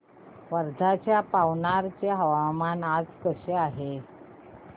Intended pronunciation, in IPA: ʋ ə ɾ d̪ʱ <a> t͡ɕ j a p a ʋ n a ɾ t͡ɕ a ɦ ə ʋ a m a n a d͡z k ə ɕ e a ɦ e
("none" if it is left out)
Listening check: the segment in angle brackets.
a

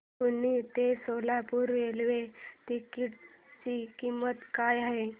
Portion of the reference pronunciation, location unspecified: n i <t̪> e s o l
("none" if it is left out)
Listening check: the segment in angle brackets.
t̪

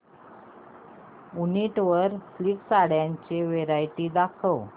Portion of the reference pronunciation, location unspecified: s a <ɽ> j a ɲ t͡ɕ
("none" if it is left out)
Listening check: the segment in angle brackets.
ɽ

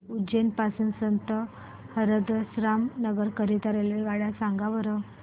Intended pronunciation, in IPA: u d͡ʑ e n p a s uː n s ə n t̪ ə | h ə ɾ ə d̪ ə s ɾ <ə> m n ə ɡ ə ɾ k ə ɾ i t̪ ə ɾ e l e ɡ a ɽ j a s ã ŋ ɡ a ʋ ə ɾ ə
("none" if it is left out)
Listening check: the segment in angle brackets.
a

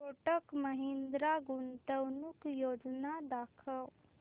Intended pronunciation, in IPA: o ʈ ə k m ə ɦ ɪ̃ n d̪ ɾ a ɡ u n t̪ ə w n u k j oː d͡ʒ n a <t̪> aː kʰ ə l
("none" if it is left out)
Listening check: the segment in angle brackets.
d̪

